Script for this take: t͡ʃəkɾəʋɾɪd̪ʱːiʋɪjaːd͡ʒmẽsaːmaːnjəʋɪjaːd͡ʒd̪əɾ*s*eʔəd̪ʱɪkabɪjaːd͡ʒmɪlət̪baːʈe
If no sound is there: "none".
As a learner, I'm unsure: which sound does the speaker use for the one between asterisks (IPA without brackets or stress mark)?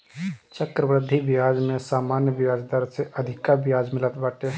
s